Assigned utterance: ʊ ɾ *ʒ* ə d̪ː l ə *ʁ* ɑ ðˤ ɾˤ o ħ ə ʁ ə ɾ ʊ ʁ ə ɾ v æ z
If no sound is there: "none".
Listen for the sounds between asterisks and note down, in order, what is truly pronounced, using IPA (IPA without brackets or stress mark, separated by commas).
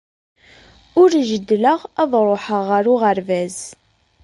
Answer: ʒ, ʁ